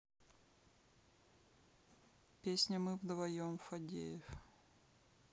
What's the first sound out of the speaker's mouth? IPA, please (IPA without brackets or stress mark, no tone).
pʲ